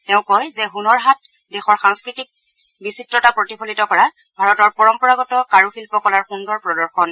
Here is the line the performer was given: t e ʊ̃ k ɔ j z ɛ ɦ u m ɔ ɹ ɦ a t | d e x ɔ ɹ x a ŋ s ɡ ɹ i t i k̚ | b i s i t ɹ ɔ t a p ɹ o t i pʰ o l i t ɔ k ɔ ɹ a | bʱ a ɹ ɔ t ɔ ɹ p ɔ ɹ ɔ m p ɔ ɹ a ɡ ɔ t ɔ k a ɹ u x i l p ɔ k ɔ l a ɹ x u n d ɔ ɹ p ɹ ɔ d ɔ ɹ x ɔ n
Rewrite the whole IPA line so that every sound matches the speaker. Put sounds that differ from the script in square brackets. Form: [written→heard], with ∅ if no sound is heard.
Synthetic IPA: t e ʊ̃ k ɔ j z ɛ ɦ u [m→n] ɔ ɹ ɦ a t | d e x ɔ ɹ x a ŋ s [ɡ→k] ɹ i t i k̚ | b i s i t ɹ ɔ t a p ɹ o t i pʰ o l i t ɔ k ɔ ɹ a | bʱ a ɹ ɔ t ɔ ɹ p ɔ ɹ ɔ m p ɔ ɹ a ɡ ɔ t ɔ k a ɹ u x i l p ɔ k ɔ l a ɹ x u n d ɔ ɹ p ɹ ɔ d ɔ ɹ x ɔ n